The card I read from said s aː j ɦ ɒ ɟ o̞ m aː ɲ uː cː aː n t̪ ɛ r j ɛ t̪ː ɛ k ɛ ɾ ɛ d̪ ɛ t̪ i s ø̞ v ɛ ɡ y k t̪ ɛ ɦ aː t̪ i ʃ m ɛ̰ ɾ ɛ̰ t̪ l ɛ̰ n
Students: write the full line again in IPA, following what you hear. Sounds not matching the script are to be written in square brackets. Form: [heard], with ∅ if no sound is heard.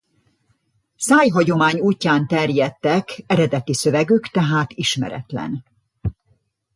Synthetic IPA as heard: s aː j ɦ ɒ ɟ o̞ m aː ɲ uː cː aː n t̪ ɛ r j ɛ t̪ː ɛ k ɛ ɾ ɛ d̪ ɛ t̪ i s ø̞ v ɛ ɡ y k t̪ ɛ ɦ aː t̪ i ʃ m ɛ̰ ɾ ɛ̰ t̪ l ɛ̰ n